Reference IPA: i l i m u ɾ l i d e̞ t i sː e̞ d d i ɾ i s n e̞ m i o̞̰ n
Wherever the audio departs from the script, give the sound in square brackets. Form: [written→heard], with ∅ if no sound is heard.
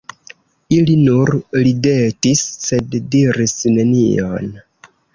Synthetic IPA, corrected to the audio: i l i [m→n] u ɾ l i d e̞ t i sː e̞ d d i ɾ i s n e̞ [m→n] i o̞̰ n